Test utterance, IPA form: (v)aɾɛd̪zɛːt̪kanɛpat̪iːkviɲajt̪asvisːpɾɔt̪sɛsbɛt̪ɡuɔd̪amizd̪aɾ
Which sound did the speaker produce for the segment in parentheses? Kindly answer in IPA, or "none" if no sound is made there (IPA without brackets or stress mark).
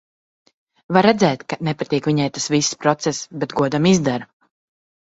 v